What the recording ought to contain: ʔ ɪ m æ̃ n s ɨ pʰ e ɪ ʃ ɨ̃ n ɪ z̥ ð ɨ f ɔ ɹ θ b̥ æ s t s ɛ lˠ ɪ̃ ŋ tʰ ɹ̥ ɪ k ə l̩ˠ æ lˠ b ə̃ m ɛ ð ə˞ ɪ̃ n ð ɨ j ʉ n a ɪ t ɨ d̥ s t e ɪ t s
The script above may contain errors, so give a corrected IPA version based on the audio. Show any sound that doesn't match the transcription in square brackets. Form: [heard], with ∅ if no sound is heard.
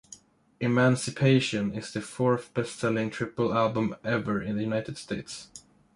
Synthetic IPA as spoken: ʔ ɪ m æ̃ n s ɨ pʰ e ɪ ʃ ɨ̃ n ɪ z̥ ð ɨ f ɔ ɹ θ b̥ [ɛ] s t s ɛ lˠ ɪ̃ ŋ tʰ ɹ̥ ɪ [p] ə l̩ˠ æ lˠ b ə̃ m ɛ [v] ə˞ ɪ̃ n ð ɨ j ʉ n a ɪ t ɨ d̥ s t e ɪ t s